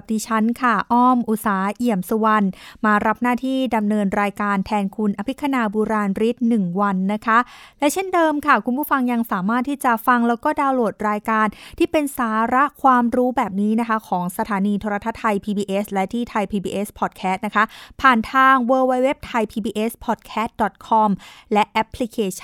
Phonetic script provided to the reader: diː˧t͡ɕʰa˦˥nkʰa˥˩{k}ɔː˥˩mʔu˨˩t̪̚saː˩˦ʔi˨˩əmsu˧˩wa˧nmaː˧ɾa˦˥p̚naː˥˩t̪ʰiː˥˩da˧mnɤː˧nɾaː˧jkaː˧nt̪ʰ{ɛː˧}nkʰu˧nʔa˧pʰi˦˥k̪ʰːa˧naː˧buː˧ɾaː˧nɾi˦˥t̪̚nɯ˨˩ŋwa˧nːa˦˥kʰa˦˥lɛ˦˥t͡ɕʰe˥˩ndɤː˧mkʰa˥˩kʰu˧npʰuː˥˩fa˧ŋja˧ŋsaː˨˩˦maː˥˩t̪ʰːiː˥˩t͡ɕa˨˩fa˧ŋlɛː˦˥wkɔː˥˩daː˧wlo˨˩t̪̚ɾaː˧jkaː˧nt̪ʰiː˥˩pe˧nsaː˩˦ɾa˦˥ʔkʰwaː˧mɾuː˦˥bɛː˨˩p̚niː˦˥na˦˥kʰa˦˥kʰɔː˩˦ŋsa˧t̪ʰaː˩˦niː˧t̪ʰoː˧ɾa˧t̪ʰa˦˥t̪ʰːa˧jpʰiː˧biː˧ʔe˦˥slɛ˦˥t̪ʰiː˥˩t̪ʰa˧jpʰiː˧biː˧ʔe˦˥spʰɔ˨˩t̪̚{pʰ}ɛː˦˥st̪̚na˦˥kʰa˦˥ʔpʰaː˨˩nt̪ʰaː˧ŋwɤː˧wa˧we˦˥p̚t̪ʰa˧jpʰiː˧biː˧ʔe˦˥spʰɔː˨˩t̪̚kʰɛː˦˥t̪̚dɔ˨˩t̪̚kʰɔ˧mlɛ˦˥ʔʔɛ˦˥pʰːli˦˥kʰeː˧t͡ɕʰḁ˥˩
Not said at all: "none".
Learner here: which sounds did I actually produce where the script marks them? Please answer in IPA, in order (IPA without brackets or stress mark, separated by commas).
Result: ʔ, ɛː˧, kʰ